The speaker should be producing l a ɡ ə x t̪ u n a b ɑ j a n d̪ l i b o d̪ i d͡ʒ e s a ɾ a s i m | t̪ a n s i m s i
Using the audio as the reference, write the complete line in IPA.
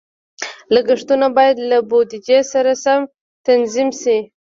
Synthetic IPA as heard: l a ɡ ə ʂ t̪ u n a b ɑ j a d̪ l a b o d̪ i d͡ʒ e s a ɾ a s a m | t̪ a n z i m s i